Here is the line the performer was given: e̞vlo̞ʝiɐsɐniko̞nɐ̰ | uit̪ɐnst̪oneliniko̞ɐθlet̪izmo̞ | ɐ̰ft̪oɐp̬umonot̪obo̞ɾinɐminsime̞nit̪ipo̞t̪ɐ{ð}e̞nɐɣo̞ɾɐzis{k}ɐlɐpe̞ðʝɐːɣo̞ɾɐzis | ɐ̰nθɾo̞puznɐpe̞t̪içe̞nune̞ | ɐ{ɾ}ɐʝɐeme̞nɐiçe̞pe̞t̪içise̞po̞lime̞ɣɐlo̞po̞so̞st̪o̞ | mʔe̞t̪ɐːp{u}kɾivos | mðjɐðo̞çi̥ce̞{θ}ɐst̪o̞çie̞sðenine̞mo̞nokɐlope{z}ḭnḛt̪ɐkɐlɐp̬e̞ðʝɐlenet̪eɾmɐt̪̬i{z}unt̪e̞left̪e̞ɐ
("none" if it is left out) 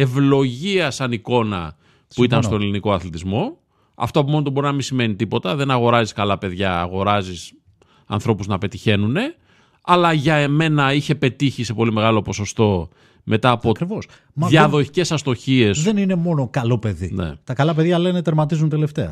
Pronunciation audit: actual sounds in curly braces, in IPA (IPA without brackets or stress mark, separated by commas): ð, k, l, o, s, ð, z